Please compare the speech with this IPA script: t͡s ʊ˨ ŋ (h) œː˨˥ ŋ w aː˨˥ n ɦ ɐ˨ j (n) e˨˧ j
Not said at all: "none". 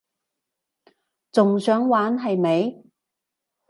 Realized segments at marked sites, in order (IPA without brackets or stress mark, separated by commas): s, m